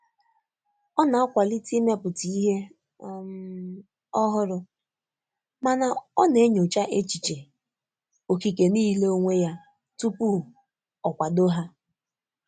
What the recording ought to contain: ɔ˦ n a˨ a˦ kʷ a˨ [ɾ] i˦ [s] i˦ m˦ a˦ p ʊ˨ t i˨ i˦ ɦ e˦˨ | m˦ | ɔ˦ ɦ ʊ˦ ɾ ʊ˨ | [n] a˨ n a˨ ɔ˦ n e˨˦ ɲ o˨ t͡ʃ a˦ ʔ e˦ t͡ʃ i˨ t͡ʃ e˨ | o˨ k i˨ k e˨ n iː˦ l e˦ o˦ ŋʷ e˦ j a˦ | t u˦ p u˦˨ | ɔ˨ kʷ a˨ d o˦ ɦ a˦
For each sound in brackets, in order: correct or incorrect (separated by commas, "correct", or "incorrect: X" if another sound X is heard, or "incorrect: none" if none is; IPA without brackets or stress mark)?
incorrect: l, incorrect: t, incorrect: m